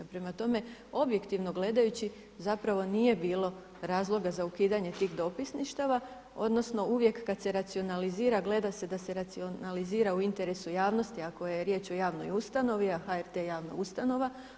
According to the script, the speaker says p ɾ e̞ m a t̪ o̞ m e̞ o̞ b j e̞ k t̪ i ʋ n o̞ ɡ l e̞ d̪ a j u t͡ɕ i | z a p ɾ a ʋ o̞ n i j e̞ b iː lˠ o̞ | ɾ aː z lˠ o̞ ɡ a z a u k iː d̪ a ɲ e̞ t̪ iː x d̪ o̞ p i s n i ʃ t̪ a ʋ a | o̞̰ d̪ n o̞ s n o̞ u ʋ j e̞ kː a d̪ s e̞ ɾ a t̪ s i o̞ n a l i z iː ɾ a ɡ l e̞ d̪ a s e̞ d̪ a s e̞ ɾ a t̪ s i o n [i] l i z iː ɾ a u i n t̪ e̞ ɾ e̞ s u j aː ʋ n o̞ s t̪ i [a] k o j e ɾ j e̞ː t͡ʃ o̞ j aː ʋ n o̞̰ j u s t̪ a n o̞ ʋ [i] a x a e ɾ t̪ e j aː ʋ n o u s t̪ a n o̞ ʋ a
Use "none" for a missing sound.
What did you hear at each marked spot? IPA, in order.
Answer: a, a, i

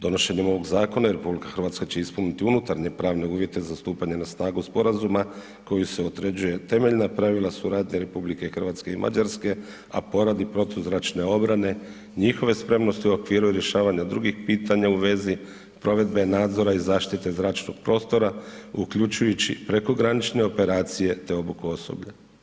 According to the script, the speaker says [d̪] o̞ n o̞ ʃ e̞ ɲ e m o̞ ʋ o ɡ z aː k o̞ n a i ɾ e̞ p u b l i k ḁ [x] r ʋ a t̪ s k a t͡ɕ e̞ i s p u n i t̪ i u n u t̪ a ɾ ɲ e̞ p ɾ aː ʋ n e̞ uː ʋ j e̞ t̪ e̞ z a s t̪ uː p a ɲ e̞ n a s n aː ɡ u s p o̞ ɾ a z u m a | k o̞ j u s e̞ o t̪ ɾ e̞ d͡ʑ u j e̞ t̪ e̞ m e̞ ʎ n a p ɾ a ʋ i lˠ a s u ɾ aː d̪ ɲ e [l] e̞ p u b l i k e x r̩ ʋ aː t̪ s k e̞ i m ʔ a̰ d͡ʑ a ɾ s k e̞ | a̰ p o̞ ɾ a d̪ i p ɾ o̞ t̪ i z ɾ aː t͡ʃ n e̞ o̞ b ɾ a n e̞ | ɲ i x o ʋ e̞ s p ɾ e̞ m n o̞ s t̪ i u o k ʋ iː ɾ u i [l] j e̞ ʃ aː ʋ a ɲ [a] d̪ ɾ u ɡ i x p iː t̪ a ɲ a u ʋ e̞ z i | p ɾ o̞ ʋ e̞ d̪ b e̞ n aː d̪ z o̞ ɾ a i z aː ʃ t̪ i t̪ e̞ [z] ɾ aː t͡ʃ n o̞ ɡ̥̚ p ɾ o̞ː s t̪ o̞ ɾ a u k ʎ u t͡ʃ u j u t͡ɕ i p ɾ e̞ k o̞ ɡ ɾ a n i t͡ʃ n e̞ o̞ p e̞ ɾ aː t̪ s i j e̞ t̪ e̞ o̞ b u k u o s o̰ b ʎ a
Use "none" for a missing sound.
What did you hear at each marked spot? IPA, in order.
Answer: d̪, x, ɾ, ɾ, a, z

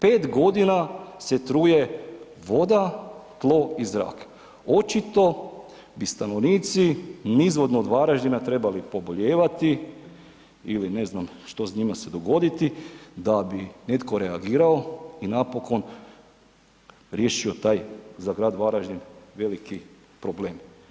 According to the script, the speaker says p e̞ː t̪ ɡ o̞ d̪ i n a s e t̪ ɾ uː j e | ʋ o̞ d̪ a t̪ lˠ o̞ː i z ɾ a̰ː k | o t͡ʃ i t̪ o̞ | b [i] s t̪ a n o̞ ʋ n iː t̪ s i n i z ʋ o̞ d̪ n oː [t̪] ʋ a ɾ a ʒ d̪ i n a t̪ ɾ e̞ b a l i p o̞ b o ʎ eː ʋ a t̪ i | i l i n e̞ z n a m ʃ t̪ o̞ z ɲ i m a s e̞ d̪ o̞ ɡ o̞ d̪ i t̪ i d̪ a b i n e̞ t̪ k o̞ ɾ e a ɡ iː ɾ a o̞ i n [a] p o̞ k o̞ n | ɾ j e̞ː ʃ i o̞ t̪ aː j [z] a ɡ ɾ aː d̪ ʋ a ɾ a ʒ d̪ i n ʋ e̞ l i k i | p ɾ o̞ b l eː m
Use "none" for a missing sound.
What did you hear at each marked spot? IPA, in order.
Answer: i, d̪, a, z

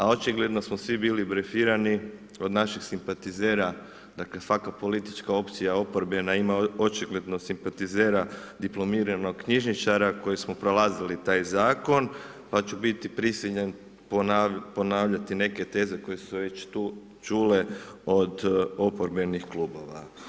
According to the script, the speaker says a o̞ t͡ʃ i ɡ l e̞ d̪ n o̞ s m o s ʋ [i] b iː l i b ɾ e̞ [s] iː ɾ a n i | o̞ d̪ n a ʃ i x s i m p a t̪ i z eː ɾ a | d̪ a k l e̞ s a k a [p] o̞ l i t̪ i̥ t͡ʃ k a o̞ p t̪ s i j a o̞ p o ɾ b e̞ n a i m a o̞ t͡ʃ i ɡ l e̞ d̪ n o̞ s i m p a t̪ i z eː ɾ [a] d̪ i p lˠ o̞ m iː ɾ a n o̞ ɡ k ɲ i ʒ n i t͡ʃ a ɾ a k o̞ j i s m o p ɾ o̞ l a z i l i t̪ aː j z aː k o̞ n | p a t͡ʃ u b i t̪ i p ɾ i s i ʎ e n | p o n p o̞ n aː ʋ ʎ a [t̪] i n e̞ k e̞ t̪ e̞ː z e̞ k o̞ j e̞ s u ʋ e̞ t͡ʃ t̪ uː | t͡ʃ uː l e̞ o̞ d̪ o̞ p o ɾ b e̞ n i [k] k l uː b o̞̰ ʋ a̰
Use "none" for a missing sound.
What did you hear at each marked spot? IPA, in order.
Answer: i, f, p, a, t̪, x

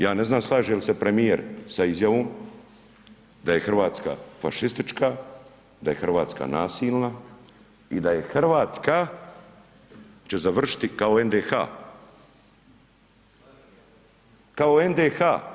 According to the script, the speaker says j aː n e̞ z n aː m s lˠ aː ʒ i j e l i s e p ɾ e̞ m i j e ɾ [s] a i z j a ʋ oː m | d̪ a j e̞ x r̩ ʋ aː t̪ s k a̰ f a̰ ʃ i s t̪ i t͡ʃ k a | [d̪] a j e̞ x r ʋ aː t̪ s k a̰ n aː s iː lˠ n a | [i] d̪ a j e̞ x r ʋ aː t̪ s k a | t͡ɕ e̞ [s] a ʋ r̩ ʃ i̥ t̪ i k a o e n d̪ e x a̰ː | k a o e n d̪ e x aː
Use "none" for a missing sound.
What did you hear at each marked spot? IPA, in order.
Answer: s, d̪, i, z

